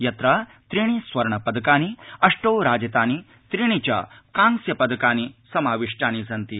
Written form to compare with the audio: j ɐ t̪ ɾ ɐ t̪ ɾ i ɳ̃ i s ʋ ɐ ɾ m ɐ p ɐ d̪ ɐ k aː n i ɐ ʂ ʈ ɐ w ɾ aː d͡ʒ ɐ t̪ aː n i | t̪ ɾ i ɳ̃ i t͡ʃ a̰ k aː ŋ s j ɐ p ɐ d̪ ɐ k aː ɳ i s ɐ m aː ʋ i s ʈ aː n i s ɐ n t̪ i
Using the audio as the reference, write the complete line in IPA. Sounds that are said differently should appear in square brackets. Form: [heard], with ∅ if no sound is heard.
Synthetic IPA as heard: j ɐ t̪ ɾ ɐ t̪ ɾ i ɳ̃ i s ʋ ɐ ɾ [ɳ] ɐ p ɐ d̪ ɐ k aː n i ɐ ʂ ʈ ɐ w ɾ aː d͡ʒ ɐ t̪ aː n i | t̪ ɾ i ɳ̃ i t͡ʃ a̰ k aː ŋ s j ɐ p ɐ d̪ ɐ k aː [n] i s ɐ m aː ʋ i [ʂ] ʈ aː n i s ɐ n t̪ i